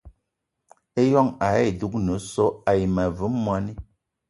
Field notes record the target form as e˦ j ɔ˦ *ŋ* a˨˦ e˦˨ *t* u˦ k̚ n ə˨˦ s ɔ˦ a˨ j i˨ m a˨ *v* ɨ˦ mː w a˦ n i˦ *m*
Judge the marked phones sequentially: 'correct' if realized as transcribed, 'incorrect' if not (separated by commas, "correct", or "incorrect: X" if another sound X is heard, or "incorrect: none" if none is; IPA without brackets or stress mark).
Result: correct, incorrect: d, correct, incorrect: none